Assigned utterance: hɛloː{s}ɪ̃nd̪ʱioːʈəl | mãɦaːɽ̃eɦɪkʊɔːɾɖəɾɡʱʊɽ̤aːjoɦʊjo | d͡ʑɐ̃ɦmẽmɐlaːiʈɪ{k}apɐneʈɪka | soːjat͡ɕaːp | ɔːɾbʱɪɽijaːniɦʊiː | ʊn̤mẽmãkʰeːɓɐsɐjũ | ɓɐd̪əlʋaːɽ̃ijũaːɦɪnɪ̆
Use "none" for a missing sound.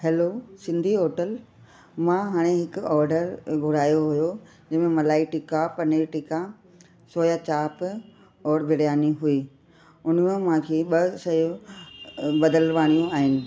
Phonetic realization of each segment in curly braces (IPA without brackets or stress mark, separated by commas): s, k